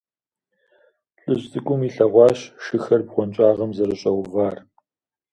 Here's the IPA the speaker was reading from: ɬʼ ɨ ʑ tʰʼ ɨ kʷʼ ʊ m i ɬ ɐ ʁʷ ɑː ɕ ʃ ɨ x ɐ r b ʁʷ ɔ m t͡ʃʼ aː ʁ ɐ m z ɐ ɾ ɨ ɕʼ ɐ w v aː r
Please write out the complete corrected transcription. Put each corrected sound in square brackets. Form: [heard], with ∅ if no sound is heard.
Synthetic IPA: ɬʼ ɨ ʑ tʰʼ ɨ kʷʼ ʊ m i ɬ ɐ ʁʷ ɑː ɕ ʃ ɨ x ɐ r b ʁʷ ɔ [n] t͡ʃʼ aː ʁ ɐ m z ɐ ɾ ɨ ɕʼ ɐ w v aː r